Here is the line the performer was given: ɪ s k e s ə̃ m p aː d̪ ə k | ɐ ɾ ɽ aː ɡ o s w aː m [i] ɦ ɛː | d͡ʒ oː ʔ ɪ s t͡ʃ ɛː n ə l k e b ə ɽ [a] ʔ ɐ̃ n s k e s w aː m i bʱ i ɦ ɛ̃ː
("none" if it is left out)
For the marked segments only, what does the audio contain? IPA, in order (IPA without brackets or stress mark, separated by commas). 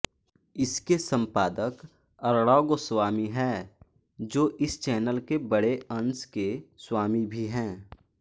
i, e